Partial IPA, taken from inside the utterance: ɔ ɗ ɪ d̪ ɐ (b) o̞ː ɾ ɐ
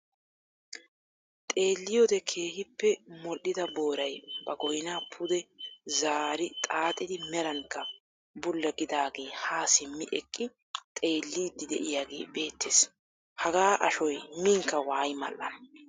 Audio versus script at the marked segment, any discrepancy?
no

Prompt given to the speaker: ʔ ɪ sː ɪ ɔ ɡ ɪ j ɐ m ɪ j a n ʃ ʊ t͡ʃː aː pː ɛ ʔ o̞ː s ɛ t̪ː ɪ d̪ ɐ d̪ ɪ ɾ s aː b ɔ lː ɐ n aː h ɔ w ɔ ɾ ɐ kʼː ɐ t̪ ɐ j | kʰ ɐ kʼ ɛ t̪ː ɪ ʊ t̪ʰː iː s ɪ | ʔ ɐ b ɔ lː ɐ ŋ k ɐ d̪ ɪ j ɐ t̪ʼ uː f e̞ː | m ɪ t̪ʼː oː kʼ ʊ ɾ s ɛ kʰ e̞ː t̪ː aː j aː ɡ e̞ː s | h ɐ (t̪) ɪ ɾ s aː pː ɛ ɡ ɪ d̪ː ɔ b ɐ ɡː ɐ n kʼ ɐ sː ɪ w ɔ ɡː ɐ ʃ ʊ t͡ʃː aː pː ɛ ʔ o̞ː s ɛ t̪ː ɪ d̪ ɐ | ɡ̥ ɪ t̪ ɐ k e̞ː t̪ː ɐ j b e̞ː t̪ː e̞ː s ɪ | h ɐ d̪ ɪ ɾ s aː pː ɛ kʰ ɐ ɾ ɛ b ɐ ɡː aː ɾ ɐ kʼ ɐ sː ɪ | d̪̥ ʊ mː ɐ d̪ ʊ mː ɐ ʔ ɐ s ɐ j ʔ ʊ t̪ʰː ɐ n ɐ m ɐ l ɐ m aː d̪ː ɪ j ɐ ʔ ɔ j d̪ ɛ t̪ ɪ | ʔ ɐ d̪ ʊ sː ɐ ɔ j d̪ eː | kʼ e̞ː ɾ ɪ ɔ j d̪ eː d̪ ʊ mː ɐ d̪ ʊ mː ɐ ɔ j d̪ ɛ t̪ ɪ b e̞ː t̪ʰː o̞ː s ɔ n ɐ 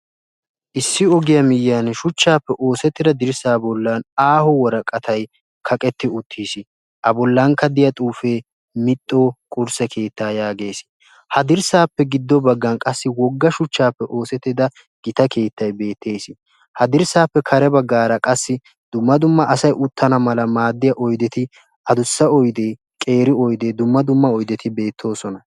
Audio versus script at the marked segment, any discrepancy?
yes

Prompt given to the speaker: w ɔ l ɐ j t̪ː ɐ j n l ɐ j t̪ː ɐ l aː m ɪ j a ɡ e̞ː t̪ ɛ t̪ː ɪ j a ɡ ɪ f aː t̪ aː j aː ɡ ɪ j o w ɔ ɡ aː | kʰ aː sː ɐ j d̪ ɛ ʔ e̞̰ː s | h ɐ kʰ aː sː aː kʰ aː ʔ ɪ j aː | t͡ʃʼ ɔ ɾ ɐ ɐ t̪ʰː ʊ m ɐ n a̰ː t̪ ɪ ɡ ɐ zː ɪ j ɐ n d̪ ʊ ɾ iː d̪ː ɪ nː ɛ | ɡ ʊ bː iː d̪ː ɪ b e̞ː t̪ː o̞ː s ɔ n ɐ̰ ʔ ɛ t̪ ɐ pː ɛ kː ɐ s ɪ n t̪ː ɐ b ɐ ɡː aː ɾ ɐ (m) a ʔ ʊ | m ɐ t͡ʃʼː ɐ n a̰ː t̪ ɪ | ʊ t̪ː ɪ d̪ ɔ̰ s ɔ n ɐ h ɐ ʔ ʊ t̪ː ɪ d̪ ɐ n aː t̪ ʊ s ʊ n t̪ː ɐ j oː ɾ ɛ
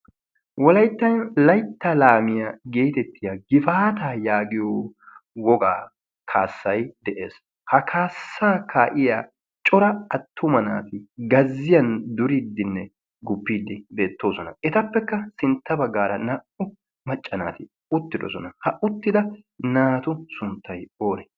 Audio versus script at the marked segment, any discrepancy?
yes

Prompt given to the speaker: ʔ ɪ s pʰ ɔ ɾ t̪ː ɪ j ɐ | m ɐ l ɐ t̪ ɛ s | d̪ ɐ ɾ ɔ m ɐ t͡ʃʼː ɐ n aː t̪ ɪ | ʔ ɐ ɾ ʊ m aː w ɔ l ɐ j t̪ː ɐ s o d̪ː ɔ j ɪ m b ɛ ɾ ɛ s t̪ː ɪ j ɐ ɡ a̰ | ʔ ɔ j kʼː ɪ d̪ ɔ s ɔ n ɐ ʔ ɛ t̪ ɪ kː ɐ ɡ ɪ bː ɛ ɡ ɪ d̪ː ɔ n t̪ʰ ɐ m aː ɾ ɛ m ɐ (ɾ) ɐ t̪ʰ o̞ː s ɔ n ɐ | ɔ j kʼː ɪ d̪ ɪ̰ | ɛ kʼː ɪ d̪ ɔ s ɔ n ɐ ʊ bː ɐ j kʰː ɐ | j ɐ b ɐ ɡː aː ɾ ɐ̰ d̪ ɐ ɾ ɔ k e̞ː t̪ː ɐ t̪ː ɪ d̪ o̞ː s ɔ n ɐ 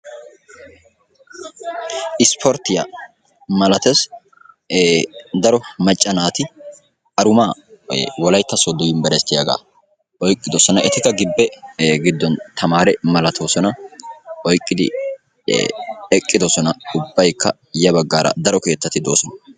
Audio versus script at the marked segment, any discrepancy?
yes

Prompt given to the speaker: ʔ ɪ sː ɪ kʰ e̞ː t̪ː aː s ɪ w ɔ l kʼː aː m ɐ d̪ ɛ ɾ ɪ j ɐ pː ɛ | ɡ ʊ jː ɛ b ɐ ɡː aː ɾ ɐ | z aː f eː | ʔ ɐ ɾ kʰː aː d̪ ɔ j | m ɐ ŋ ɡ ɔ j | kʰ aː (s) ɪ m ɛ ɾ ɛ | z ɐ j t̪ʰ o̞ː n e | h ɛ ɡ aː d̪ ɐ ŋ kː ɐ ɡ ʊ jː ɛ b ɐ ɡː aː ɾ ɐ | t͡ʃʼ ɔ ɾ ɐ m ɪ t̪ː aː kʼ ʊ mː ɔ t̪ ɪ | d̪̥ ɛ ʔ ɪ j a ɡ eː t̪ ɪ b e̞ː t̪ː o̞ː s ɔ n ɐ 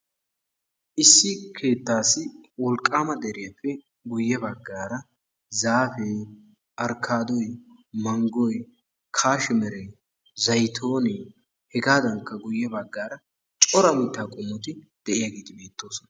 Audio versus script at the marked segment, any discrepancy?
yes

